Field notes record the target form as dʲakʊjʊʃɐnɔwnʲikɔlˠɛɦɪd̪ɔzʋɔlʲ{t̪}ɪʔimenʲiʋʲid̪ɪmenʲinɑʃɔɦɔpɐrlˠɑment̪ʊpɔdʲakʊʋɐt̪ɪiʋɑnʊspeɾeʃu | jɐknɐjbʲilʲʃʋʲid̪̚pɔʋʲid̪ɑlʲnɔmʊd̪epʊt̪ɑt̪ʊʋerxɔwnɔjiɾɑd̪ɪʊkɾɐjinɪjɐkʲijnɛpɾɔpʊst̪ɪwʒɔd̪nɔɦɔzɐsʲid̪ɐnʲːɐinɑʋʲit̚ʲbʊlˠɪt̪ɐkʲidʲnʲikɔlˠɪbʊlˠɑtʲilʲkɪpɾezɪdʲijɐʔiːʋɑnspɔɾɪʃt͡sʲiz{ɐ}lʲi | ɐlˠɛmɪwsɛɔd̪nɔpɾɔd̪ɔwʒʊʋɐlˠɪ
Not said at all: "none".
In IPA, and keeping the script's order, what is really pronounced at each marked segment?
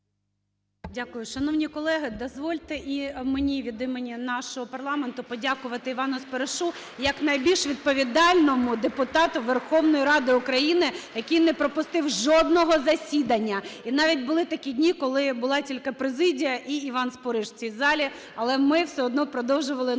t̪, ɑ

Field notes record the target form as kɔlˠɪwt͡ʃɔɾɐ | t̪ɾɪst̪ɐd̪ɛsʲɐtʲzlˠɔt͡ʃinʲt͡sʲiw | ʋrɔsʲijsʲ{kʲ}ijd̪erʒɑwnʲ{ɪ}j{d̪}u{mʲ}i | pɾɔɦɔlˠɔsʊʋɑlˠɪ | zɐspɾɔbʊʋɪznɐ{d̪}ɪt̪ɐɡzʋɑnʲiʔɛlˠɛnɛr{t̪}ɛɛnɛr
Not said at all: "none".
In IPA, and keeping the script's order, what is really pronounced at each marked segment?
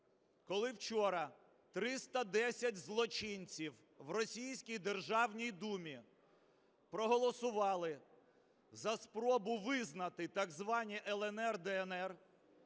kʲ, i, d̪, mʲ, t̪, d̪

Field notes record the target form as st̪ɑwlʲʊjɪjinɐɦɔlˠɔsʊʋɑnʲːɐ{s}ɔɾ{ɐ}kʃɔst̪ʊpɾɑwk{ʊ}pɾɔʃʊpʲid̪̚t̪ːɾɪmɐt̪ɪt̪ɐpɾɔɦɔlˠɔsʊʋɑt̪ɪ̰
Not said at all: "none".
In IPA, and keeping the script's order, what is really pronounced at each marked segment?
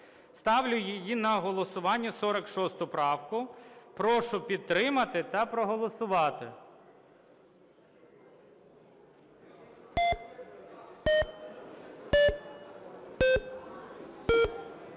s, ɐ, ʊ

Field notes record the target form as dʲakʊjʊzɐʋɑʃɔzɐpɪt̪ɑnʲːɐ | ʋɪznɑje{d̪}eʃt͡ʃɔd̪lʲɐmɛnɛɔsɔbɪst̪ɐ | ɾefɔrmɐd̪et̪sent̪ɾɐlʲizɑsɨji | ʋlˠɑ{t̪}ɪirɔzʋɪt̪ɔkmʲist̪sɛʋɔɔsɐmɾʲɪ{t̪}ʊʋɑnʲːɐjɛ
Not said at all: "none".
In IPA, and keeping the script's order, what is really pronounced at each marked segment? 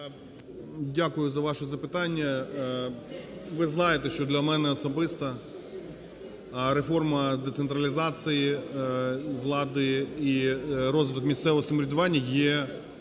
t̪, d̪, d̪

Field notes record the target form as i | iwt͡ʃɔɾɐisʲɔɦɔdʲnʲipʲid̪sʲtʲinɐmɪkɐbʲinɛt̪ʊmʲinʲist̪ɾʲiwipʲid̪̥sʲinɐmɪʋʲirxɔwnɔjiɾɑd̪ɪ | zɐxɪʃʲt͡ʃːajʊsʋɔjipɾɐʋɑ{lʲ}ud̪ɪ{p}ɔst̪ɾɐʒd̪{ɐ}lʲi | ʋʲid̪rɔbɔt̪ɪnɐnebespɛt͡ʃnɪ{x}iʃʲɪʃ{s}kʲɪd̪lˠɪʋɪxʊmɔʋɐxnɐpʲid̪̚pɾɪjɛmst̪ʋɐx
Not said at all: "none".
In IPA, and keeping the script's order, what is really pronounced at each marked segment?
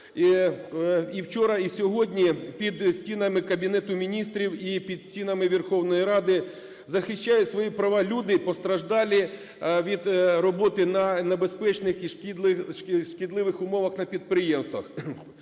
lʲ, p, ɑ, x, ʃ

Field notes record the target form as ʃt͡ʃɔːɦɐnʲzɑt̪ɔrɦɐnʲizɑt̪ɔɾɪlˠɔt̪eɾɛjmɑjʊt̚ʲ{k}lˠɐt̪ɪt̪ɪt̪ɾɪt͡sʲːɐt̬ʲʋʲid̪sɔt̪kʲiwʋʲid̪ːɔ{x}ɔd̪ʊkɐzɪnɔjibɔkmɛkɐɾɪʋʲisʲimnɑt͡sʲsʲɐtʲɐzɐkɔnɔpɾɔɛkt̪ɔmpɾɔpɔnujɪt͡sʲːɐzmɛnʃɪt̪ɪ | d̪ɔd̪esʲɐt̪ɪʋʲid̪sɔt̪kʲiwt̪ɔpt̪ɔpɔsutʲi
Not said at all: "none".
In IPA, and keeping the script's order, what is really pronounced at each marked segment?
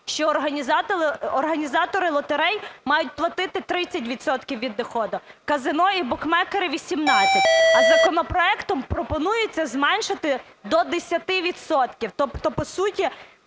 p, x

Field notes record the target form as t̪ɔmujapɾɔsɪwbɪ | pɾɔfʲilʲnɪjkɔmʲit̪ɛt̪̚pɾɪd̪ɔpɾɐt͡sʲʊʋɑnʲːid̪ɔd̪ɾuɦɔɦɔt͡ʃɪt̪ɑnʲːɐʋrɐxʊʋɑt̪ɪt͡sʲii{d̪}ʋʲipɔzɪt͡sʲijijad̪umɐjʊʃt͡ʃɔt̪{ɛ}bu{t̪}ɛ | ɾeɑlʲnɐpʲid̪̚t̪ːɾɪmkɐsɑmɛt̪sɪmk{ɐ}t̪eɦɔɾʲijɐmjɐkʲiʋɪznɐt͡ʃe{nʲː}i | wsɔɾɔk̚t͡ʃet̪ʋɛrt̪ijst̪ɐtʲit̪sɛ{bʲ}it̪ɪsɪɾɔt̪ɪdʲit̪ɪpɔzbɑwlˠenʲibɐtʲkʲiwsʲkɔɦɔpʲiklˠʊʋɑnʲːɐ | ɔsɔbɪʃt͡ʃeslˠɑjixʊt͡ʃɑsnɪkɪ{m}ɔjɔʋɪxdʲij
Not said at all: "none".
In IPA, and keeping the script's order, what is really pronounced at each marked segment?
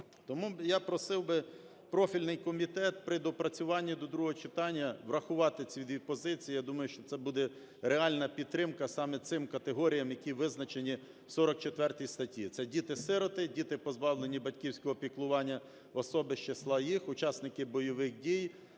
d̪, ɛ, d̪, ɐ, nʲ, dʲ, b

